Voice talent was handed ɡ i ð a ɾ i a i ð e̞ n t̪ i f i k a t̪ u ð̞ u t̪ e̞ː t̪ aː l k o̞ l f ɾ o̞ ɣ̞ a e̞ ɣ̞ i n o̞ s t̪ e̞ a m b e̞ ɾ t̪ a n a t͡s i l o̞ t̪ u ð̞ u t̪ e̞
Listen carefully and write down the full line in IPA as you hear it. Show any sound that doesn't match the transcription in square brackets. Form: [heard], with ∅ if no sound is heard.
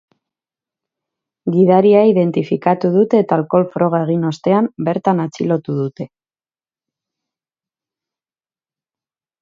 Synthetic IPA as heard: ɡ i ð a ɾ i a i ð e̞ n t̪ i f i k a t̪ u ð̞ u t̪ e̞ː t̪ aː l k o̞ l f ɾ o̞ ɣ̞ a e̞ ɣ̞ i n o̞ s t̪ e̞ a m b e̞ ɾ t̪ a n a t͡s i l o̞ t̪ u ð̞ u t̪ e̞